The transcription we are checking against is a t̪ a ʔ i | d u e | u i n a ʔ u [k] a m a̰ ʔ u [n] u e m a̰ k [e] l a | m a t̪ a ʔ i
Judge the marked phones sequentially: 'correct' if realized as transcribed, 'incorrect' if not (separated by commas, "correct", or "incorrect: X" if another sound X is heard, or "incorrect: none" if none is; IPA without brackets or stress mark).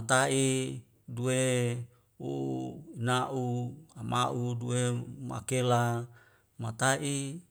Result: incorrect: none, incorrect: d, correct